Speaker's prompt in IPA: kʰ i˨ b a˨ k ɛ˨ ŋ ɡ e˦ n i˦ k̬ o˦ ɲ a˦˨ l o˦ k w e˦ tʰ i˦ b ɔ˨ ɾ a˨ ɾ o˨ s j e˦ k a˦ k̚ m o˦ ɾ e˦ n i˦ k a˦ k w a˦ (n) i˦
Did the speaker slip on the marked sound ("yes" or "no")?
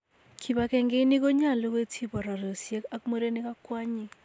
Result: yes